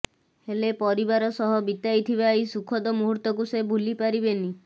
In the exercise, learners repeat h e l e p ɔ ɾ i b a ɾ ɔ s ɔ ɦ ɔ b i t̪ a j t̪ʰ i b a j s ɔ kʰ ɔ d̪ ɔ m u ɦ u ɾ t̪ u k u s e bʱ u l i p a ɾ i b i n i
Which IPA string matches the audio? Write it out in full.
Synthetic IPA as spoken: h e l e p ɔ ɾ i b a ɾ ɔ s ɔ ɦ ɔ b i t̪ a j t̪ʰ i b a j s u kʰ ɔ d̪ ɔ m u ɦ u ɾ t̪ ɔ k u s e bʱ u l i p a ɾ i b e n i